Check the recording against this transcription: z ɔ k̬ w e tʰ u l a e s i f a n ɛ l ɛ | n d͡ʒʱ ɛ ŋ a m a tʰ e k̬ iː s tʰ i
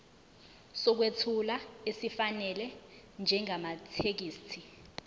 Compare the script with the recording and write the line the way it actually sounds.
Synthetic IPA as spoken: s ɔ k̬ w e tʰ u l a e s i f a n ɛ l ɛ | n d͡ʒʱ ɛ ŋ a m a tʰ e k̬ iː s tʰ i